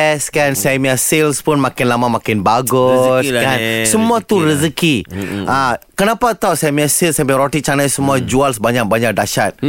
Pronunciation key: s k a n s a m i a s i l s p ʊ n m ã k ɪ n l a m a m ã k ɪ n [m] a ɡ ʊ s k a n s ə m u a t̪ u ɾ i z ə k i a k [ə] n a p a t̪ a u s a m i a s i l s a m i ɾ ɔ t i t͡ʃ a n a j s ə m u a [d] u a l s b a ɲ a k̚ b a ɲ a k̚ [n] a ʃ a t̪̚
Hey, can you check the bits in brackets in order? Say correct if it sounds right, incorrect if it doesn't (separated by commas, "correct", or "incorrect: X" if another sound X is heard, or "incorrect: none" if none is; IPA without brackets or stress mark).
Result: incorrect: b, correct, incorrect: d͡ʒ, incorrect: d